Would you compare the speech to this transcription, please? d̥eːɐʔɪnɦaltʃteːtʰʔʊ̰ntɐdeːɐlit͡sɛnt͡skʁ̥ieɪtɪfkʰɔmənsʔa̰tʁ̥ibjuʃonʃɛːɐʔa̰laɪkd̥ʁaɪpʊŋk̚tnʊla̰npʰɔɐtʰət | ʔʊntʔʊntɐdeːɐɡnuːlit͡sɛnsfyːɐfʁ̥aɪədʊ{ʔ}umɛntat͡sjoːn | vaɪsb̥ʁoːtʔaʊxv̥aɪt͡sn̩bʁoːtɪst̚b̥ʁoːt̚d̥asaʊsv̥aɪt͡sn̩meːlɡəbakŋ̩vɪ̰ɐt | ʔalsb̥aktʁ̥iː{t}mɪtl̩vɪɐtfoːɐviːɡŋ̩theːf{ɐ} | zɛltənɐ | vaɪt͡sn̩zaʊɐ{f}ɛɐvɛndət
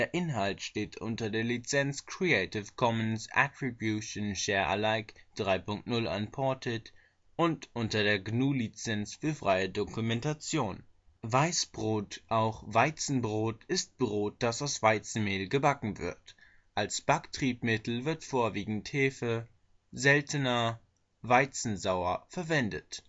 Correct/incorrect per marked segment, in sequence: incorrect: k, incorrect: p, incorrect: ə, correct

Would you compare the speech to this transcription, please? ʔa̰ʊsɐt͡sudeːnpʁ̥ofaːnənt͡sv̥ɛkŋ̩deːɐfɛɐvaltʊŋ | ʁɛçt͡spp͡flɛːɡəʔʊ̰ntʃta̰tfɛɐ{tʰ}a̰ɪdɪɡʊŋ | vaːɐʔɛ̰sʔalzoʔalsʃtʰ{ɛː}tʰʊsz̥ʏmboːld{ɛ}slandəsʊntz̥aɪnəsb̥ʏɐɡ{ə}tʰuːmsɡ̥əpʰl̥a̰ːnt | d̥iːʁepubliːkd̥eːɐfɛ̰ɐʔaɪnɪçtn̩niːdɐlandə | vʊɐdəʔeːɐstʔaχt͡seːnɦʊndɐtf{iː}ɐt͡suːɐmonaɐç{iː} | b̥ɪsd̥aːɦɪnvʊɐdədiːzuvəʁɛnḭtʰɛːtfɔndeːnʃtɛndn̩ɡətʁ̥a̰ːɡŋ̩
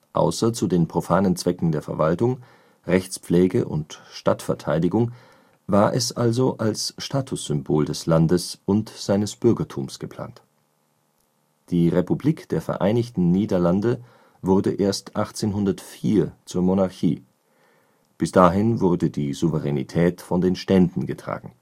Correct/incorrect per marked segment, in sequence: correct, incorrect: aː, correct, incorrect: ɐ, correct, correct

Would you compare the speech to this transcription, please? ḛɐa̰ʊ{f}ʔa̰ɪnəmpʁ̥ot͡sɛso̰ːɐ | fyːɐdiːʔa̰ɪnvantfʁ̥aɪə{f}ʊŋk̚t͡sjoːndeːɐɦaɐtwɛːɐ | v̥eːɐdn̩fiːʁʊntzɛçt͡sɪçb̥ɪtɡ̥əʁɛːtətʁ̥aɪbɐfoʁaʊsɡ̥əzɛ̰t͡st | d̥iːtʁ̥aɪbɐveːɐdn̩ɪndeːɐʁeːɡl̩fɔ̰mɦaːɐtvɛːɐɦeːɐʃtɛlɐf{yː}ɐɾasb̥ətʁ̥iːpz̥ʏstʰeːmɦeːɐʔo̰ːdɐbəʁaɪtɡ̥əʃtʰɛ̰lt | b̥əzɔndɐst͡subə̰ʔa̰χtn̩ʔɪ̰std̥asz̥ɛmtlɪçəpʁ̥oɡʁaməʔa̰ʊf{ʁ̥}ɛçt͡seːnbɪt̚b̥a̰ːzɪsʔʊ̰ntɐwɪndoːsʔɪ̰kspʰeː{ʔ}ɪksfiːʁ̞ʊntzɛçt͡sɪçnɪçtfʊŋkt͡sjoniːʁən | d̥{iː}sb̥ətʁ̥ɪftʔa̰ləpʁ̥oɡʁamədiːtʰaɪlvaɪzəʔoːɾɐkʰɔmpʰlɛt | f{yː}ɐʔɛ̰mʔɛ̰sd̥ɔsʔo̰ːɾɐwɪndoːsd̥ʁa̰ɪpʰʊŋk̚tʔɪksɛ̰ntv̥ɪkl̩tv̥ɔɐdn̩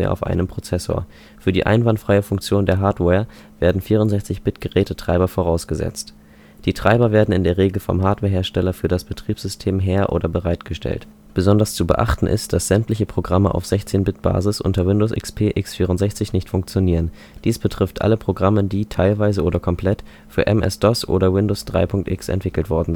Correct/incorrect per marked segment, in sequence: correct, correct, correct, incorrect: z̥, correct, correct, correct

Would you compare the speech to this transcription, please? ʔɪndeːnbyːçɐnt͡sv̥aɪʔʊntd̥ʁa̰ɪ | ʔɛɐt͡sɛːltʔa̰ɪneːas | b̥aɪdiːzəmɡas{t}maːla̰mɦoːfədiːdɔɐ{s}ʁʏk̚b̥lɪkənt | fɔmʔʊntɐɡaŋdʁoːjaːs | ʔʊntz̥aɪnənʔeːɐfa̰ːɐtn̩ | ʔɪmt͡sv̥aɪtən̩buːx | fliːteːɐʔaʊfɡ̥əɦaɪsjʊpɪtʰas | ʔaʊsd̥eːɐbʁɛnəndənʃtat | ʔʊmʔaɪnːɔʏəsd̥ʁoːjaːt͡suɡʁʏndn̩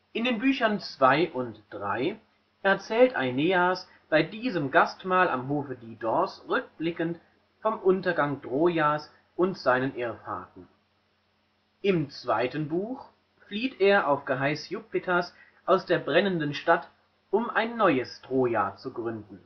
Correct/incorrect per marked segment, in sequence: correct, correct

